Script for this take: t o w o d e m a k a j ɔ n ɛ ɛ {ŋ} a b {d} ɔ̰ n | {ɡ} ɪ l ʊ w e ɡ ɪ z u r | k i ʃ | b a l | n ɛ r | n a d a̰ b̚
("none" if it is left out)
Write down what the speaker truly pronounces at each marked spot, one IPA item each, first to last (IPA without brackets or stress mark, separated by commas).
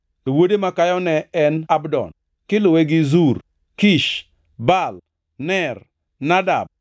n, d, k